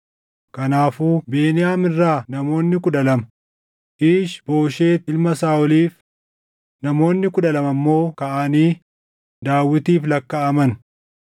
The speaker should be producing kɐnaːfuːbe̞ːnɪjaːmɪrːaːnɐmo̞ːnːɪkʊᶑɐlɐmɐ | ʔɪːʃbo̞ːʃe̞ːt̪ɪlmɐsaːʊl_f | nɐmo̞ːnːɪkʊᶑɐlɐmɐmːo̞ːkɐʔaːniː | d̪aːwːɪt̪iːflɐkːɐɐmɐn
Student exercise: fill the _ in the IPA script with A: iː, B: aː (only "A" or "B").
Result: A